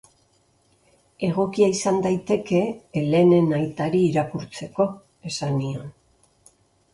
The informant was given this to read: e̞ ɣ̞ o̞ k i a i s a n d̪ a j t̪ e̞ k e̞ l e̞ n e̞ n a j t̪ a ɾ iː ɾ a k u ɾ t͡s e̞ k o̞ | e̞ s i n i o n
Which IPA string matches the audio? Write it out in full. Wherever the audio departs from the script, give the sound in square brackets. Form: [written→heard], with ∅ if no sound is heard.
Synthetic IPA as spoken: e̞ ɣ̞ o̞ k i a i s a n d̪ a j t̪ e̞ k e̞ l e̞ n e̞ n a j t̪ a ɾ iː ɾ a k u ɾ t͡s e̞ k o̞ | e̞ s [i→a] n i o n